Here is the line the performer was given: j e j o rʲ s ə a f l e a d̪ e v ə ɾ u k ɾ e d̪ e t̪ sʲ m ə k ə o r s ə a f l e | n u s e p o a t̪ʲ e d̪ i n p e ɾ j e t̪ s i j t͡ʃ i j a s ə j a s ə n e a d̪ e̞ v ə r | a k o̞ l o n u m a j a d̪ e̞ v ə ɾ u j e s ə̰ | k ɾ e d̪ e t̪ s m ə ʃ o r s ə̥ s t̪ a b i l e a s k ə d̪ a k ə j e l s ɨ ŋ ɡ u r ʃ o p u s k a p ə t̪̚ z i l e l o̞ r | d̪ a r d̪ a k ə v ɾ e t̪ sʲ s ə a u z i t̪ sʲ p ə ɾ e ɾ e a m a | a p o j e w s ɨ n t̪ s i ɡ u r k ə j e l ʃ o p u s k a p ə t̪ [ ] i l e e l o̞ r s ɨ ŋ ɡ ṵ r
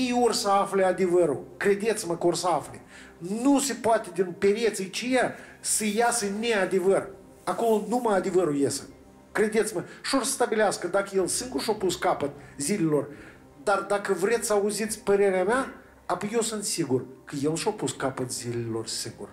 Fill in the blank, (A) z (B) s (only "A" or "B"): A